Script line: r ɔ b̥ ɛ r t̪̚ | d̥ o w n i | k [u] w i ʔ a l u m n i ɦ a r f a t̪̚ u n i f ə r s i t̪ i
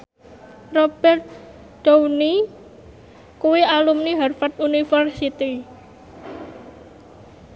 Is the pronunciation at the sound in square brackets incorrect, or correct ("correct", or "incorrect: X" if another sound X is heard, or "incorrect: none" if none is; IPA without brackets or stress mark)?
correct